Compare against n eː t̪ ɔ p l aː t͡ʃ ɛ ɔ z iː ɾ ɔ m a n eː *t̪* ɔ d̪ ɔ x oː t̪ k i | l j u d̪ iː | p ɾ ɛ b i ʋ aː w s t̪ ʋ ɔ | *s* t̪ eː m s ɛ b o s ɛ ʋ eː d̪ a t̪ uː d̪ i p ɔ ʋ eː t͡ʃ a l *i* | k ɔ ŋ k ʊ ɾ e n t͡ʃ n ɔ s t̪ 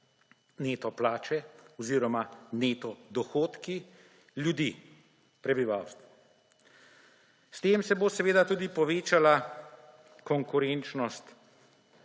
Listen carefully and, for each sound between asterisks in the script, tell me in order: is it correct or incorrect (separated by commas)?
correct, correct, incorrect